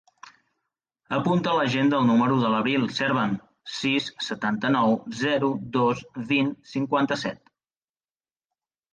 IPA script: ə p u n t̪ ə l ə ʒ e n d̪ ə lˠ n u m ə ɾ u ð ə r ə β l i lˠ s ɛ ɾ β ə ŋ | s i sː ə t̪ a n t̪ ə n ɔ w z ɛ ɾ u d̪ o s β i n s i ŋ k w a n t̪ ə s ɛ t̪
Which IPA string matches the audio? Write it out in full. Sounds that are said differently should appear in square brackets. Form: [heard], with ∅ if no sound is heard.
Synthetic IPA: ə p u n t̪ ə l ə ʒ e n d̪ ə lˠ n u m ə ɾ u ð ə [l] ə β [ɾ] i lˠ s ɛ ɾ β ə [n] | s i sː ə t̪ a n t̪ ə n ɔ w z ɛ ɾ u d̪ o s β i n s i ŋ k w a n t̪ ə s ɛ t̪